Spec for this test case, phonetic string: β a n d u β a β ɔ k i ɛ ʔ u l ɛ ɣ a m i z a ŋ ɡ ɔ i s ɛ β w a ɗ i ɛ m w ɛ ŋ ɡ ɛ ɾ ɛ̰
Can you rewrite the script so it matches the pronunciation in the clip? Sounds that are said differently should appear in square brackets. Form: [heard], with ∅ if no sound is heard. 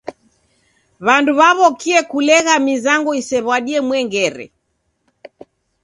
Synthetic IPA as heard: β a n d u β a β ɔ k i ɛ [k] u l ɛ ɣ a m i z a ŋ ɡ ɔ i s ɛ β w a ɗ i ɛ m w ɛ ŋ ɡ ɛ ɾ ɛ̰